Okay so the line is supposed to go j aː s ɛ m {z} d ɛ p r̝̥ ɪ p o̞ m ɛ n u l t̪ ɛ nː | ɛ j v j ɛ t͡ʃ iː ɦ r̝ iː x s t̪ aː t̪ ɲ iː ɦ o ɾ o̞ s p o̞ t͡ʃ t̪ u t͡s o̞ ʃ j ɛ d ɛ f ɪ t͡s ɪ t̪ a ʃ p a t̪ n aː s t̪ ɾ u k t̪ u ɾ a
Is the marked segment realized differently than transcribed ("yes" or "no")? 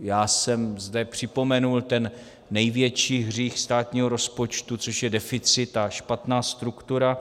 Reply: no